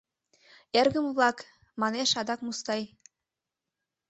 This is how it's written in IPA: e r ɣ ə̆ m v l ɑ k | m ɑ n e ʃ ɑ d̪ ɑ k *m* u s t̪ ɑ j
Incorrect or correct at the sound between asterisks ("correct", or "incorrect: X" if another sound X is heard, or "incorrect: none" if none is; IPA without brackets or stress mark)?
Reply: correct